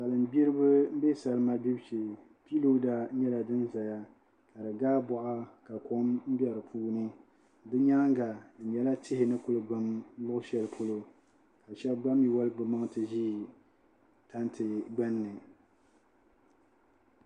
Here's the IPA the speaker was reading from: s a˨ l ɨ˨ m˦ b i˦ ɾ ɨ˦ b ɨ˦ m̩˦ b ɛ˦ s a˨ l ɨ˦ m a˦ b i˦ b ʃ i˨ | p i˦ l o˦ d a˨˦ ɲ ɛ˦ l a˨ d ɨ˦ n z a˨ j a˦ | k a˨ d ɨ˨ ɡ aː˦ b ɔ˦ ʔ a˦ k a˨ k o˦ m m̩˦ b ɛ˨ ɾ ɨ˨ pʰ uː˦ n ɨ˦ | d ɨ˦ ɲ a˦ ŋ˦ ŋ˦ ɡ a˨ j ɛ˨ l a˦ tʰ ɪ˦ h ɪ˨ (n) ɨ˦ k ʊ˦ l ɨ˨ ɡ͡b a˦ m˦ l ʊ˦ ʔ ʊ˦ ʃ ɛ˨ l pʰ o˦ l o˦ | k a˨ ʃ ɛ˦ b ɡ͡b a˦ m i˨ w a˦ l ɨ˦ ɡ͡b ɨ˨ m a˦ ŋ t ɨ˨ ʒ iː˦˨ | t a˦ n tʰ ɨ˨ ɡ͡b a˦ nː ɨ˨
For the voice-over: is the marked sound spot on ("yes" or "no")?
yes